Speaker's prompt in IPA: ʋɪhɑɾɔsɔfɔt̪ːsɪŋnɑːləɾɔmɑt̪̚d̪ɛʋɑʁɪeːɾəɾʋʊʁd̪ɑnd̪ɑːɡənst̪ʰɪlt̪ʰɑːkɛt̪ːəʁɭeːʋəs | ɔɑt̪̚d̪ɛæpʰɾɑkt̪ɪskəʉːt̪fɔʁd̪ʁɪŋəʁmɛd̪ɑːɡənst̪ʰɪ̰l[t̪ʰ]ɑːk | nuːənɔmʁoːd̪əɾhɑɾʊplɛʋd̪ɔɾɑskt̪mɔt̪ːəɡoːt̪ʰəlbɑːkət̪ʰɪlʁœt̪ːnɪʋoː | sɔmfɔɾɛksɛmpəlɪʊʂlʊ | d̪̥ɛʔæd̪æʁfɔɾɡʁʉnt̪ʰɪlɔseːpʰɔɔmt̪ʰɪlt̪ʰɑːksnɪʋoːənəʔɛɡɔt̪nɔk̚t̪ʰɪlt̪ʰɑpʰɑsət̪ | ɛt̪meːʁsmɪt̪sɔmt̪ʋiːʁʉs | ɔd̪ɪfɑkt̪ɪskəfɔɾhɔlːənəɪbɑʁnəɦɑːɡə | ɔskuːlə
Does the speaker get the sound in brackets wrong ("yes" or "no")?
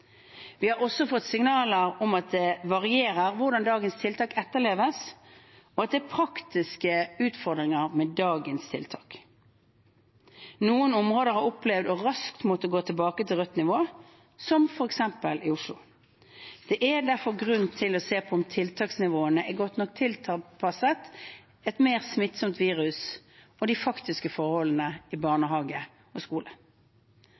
no